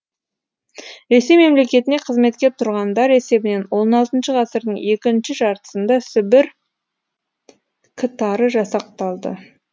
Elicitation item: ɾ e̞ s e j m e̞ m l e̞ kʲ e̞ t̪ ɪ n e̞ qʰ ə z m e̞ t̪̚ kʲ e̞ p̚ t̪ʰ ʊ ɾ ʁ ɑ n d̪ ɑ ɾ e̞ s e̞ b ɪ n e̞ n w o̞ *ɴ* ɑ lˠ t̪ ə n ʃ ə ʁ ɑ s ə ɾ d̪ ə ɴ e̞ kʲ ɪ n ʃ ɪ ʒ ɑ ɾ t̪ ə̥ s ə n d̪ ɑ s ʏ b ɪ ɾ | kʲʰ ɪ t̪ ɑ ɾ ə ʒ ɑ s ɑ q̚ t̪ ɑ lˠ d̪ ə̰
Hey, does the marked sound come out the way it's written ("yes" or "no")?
no